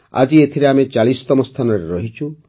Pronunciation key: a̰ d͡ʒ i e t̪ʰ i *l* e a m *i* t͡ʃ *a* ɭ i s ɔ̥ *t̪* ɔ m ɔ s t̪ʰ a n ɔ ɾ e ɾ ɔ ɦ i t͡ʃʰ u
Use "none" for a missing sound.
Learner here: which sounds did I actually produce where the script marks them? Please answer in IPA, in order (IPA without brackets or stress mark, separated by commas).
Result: ɾ, e, a, t̪